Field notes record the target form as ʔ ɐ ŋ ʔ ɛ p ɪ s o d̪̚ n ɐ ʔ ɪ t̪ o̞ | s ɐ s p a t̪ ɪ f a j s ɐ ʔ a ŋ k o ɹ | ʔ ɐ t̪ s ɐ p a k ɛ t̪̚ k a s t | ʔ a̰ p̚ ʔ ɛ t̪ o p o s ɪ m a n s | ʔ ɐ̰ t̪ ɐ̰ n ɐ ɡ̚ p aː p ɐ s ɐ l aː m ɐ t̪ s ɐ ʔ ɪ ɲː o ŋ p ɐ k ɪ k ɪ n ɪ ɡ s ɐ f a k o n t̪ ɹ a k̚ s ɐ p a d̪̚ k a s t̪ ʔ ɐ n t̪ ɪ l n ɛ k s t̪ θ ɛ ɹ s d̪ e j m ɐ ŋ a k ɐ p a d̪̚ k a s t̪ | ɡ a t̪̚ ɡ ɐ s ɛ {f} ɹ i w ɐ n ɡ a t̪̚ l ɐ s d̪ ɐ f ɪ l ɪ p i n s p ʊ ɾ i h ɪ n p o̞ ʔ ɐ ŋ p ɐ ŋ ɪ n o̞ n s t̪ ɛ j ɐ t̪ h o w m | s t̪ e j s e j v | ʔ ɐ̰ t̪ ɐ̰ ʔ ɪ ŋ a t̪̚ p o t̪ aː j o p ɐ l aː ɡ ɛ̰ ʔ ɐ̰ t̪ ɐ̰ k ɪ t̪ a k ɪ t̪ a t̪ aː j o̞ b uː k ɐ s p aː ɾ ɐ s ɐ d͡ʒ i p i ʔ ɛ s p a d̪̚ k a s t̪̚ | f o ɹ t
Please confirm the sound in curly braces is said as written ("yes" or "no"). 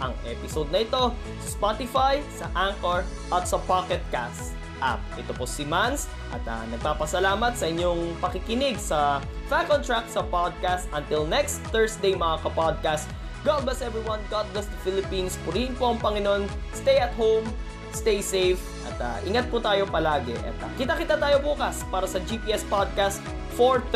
no